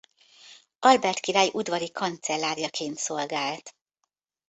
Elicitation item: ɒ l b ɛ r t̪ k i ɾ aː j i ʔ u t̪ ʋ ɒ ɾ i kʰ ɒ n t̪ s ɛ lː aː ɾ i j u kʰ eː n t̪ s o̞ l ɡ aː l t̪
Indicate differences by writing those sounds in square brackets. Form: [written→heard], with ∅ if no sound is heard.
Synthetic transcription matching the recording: ɒ l b ɛ r t̪ k i ɾ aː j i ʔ u [t̪→d̪] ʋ ɒ ɾ i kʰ ɒ n t̪ s ɛ lː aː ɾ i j [u→ɒ] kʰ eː n t̪ s o̞ l ɡ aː l t̪